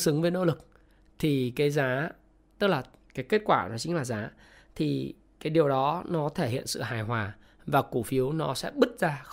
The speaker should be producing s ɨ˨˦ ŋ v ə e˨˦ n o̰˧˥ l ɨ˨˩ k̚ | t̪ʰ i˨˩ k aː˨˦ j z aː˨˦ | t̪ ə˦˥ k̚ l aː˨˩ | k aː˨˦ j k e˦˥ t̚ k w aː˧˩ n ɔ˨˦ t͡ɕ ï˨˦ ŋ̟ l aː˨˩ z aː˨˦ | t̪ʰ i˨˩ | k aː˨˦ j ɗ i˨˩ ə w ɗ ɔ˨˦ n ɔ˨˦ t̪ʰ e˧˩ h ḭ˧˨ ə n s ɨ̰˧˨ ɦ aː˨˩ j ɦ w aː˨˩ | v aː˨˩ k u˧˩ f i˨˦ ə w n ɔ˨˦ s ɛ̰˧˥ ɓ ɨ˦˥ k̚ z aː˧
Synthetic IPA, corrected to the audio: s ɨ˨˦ ŋ v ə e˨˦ n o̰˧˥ l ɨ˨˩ k̚ | t̪ʰ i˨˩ k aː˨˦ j z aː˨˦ | t̪ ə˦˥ k̚ l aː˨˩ | k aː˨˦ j k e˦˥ t̚ k w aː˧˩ n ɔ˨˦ t͡ɕ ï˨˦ ŋ̟ l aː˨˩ z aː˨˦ | t̪ʰ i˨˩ | k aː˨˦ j ɗ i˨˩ ə w ɗ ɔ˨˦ n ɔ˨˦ t̪ʰ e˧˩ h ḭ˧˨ ə n s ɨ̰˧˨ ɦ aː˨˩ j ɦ w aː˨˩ | v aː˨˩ k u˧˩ f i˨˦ ə w n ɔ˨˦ s ɛ̰˧˥ ɓ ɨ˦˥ t̚ z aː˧